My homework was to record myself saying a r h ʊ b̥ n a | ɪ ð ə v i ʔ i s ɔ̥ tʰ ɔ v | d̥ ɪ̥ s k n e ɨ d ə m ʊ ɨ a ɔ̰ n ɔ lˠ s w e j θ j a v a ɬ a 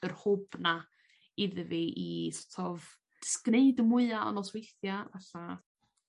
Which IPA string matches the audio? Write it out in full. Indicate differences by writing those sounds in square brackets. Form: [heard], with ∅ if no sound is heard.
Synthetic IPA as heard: [ə] r h ʊ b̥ n a | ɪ ð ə v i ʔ i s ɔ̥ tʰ ɔ v | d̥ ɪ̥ s k n e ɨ d ə m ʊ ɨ a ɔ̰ n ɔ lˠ s w e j θ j a v a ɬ a